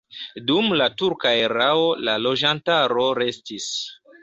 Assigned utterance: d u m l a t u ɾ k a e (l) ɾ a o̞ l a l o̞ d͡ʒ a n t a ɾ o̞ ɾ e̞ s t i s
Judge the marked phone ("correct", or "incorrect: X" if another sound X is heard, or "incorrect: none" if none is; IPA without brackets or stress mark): incorrect: none